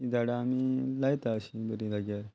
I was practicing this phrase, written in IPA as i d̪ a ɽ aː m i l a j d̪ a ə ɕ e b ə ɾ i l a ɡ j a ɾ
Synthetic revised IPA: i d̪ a ɽ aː m i l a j t̪ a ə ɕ i b ə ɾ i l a ɡ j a ɾ